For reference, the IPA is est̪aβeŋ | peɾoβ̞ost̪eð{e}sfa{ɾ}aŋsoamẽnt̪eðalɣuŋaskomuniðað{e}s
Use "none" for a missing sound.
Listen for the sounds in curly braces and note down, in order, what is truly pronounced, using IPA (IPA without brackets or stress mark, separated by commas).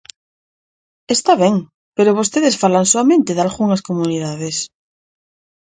e, l, e